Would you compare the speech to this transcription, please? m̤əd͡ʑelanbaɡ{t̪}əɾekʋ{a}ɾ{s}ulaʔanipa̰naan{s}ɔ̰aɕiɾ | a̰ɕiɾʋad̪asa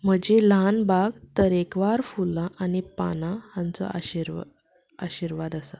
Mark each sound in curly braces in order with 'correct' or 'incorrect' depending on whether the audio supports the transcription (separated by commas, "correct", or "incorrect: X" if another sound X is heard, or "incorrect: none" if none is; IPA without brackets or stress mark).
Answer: correct, correct, incorrect: f, incorrect: t͡s